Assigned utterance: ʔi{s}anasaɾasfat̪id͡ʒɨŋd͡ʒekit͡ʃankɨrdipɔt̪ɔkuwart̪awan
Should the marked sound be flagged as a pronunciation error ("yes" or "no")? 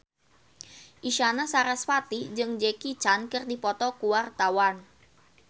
yes